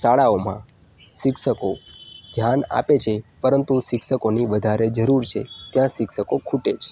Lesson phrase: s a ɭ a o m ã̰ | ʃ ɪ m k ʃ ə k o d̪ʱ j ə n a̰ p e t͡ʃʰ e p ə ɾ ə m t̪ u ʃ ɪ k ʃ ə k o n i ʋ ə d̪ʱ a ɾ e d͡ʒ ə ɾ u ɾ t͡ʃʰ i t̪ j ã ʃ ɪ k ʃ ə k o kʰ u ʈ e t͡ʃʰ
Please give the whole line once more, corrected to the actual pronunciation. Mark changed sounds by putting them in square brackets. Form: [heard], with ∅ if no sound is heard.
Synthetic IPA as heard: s a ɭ a o m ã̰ | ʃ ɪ [∅] k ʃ ə k o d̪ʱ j [a] n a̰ p e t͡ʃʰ e p ə ɾ ə [n] t̪ u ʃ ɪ k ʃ ə k o n i ʋ ə d̪ʱ a ɾ e d͡ʒ ə ɾ u ɾ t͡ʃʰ [e] t̪ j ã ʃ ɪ k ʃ ə k o kʰ u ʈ e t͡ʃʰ